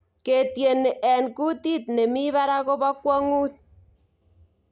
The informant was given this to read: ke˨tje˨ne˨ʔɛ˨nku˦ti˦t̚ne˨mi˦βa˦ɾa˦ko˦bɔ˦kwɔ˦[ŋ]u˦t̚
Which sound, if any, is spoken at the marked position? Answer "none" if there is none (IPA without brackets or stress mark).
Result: ŋ